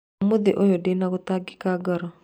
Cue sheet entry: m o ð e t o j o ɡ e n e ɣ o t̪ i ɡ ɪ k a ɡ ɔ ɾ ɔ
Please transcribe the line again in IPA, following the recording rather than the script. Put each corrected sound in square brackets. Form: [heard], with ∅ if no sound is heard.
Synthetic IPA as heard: m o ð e [ʔ] o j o [d] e n [a] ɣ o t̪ [a] ɡ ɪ k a ɡ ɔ ɾ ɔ